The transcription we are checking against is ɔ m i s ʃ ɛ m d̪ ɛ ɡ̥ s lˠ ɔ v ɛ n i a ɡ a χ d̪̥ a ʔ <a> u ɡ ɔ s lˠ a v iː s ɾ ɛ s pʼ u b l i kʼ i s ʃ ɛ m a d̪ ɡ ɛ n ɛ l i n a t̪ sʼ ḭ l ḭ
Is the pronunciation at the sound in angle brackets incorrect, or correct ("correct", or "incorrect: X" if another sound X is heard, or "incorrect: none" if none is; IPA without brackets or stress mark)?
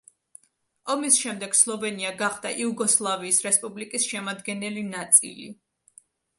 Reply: incorrect: i